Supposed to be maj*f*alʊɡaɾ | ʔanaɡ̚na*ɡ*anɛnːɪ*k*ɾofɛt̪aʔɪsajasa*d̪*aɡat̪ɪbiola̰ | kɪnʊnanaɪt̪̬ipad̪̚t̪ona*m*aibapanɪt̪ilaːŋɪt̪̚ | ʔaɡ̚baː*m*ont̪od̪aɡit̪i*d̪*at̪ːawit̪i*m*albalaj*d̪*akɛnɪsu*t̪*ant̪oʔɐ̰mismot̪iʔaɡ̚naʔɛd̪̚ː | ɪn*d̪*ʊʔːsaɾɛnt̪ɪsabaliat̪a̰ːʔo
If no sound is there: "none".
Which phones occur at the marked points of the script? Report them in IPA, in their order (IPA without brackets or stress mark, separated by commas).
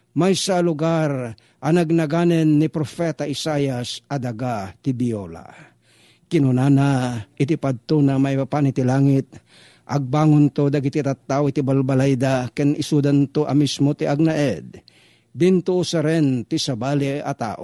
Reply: s, ɡ, p, d̪, m, ŋ, t̪, b, d̪, d̪, t̪